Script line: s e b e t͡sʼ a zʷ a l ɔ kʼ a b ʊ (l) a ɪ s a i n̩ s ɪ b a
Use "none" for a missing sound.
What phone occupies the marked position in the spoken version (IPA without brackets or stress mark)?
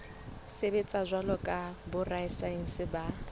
r